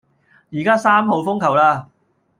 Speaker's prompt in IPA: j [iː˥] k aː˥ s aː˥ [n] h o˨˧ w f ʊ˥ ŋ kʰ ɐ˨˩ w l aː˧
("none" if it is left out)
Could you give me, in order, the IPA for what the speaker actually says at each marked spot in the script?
iː˨˩, m

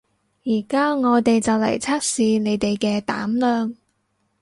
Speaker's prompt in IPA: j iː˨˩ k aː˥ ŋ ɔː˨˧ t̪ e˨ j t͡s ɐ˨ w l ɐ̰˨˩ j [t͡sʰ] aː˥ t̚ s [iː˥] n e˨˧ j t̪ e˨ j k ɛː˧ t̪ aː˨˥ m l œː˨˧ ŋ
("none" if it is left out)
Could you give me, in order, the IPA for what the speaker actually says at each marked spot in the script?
t͡sʰ, iː˨˧

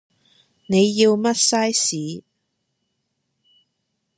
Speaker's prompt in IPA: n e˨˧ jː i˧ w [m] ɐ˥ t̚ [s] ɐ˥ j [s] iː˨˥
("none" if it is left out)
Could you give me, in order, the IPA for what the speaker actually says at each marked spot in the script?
m, s, s

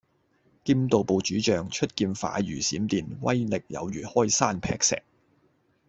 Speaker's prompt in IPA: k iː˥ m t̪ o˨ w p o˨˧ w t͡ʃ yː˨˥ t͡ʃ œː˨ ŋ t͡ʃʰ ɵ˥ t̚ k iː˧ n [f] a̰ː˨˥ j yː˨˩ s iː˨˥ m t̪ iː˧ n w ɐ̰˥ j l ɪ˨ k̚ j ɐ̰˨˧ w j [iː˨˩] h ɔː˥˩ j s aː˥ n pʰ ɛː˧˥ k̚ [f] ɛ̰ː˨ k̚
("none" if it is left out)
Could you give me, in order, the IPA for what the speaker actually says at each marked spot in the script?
f, yː˨˩, s

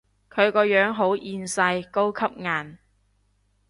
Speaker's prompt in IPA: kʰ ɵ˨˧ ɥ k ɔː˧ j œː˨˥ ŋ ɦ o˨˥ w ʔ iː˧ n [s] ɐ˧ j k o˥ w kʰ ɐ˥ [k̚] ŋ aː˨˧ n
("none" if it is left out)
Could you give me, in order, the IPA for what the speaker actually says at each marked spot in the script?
s, p̚

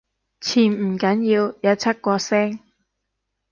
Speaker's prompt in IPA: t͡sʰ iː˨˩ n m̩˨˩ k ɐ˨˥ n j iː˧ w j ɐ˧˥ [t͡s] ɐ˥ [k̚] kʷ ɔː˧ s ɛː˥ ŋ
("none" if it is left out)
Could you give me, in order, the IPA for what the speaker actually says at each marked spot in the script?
t͡sʰ, t̚

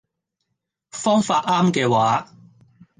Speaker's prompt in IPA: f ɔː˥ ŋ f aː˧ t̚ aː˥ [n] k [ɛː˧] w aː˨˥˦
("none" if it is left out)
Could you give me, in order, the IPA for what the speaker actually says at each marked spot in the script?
m, ɛː˧

